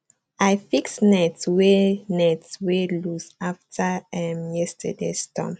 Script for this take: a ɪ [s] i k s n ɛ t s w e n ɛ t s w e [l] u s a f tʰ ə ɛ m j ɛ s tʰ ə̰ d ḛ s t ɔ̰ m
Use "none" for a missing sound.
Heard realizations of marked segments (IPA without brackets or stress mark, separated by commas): f, l